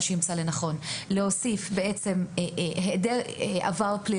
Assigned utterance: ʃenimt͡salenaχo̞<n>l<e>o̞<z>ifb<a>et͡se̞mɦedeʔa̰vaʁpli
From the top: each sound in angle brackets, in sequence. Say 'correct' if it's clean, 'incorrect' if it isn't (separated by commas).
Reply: correct, correct, incorrect, incorrect